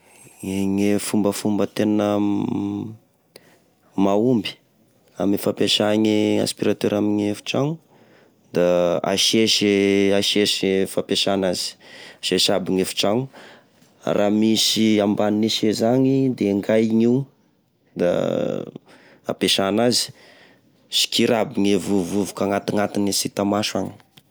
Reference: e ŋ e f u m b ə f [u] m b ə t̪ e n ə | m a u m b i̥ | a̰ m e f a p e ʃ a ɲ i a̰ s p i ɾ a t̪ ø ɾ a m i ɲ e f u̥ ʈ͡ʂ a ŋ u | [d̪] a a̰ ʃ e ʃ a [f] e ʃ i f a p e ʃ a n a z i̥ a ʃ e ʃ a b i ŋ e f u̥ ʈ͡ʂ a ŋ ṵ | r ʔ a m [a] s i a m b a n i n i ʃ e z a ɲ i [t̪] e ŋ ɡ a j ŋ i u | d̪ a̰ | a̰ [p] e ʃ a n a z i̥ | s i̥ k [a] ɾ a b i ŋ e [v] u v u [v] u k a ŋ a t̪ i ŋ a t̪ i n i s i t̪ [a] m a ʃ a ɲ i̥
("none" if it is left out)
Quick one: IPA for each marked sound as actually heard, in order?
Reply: u, d̪, ʃ, i, d̪, p, i, v, v, a

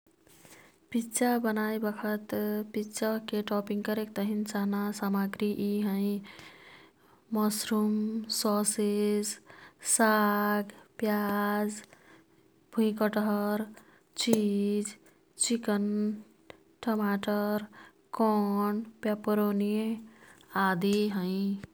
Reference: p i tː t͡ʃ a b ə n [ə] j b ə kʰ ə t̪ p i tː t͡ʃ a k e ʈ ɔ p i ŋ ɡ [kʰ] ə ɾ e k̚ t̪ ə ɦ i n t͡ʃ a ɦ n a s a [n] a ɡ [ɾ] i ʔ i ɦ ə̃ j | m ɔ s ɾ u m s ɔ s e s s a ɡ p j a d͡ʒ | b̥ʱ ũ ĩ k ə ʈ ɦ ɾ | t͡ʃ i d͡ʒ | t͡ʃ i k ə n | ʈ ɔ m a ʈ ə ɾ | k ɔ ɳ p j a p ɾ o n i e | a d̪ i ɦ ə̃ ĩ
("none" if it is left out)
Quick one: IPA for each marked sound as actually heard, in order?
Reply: a, k, m, ɾ

